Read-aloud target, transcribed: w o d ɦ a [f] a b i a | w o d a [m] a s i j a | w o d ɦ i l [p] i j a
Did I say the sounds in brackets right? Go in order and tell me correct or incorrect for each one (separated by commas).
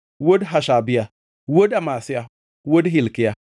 incorrect, correct, incorrect